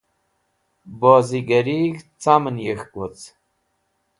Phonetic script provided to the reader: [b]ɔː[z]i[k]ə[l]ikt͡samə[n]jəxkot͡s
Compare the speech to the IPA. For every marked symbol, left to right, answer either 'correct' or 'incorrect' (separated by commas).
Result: correct, correct, incorrect, incorrect, correct